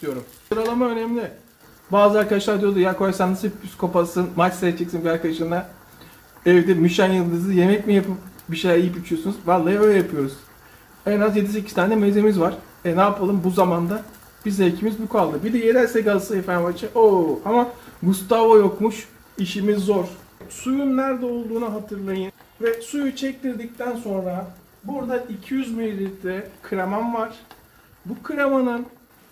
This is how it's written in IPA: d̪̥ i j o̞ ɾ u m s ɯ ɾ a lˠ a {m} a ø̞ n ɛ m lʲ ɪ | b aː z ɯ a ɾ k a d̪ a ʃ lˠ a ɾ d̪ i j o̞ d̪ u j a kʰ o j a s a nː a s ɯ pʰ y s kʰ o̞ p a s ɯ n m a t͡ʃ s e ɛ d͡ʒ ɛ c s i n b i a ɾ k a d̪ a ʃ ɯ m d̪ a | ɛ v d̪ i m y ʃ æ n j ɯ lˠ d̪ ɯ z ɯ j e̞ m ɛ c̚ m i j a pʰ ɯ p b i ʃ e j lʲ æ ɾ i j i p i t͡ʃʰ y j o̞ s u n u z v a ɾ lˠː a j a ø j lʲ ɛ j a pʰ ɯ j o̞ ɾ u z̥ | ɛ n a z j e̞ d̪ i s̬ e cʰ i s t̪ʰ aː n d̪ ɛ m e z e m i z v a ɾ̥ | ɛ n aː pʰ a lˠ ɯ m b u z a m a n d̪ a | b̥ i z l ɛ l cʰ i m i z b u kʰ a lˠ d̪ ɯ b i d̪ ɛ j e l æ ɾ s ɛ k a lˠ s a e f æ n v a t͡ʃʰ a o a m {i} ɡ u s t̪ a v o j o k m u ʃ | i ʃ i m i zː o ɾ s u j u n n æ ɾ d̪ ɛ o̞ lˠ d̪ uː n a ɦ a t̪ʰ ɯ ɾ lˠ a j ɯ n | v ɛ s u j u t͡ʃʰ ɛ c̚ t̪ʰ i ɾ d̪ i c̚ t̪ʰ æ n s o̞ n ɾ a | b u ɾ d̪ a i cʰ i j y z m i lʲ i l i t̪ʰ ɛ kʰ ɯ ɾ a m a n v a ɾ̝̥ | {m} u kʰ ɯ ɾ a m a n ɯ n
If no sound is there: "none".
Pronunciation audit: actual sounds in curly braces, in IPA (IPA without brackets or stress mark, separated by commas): m, a, b